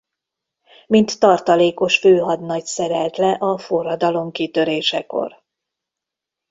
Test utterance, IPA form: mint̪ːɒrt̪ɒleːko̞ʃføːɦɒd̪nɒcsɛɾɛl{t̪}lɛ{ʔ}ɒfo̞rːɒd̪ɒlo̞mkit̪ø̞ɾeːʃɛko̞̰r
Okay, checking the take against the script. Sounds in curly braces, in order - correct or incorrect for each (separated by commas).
correct, correct